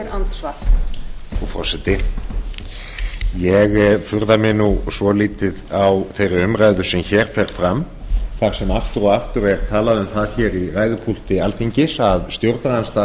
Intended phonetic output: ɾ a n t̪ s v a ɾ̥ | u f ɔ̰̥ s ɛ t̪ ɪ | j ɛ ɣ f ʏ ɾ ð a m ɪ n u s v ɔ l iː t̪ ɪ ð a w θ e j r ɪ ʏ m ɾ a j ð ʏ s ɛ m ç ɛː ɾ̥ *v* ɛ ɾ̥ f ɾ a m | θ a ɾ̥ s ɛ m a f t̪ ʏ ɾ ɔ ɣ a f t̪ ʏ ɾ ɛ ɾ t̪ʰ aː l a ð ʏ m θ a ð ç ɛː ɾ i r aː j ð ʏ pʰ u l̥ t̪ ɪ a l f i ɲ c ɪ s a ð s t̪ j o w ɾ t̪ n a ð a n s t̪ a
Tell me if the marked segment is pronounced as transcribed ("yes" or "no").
no